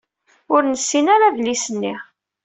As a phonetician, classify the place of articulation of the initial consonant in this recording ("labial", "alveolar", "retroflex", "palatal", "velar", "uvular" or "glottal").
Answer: alveolar